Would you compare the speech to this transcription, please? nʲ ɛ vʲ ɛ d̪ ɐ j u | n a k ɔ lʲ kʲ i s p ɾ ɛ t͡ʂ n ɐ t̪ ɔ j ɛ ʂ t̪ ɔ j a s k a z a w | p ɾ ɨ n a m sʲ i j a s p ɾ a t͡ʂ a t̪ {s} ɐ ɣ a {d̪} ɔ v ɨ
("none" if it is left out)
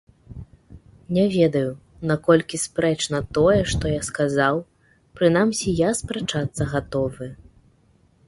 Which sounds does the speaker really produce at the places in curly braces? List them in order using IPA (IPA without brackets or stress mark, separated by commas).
sː, t̪